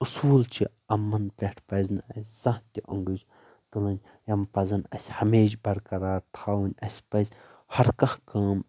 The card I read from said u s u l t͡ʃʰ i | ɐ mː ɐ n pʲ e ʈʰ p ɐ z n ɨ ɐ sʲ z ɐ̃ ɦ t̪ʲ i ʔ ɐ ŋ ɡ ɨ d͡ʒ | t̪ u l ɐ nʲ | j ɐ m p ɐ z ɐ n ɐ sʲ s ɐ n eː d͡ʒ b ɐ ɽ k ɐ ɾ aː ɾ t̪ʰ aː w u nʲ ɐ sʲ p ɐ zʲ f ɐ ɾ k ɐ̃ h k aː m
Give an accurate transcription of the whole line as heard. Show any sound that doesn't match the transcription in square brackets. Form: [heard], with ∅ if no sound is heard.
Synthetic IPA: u s [uː] l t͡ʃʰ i | ɐ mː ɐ n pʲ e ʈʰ p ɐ z n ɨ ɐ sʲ z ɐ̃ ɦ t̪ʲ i ʔ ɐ ŋ ɡ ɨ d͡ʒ | t̪ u l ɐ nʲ | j ɐ m p ɐ z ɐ n ɐ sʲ [h] ɐ [m] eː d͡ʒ b ɐ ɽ k ɐ ɾ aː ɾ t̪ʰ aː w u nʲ ɐ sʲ p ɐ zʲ [h] ɐ ɾ k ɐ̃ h k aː m